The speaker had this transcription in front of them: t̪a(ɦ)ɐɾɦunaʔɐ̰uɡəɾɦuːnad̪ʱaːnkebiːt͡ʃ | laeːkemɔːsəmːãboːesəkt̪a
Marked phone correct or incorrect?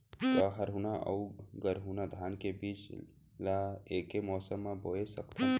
correct